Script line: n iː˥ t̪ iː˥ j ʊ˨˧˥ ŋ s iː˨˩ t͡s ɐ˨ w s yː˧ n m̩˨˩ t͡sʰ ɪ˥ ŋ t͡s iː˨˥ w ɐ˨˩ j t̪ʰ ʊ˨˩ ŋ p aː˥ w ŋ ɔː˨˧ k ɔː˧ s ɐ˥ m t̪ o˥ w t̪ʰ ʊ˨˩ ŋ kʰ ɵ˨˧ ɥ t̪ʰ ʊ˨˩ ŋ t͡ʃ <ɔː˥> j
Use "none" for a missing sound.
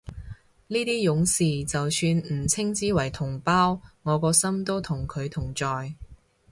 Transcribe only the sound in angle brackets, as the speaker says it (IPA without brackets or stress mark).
ɔː˨